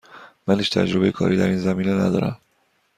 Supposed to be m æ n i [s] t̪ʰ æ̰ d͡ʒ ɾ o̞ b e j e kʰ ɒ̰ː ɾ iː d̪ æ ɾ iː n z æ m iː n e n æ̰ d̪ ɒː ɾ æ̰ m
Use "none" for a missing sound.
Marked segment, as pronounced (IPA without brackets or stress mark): ʃ